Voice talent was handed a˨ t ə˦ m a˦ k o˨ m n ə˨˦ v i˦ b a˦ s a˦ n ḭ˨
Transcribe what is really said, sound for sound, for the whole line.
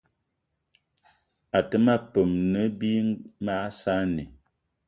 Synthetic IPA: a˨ t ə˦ m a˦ p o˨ m n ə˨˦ b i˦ m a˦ s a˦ n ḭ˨